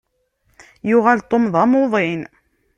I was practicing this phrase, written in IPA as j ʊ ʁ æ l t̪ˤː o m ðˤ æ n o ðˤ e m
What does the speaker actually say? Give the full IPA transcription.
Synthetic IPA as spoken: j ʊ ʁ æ l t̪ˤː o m ðˤ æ m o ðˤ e n